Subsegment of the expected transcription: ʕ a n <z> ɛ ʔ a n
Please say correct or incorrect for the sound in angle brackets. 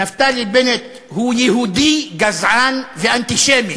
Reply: incorrect